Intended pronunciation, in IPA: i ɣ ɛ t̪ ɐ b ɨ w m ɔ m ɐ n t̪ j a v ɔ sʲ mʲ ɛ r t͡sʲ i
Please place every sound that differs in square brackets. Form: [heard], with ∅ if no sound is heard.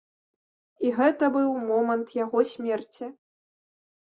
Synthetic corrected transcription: i ɣ ɛ t̪ ɐ b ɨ w m ɔ m ɐ n t̪ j a [ɣ] ɔ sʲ mʲ ɛ r t͡sʲ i